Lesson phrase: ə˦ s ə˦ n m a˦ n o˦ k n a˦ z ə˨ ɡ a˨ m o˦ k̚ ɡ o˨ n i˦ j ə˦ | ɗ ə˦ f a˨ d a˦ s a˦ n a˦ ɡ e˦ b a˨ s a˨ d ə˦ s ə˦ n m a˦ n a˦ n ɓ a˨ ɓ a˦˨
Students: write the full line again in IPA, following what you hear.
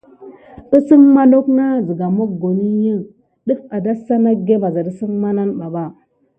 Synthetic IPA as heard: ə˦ s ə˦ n m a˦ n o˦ k n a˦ z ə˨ ɡ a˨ m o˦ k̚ ɡ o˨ n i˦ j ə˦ | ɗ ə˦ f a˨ d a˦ s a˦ n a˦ ɡ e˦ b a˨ z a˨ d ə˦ s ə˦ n m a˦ n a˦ n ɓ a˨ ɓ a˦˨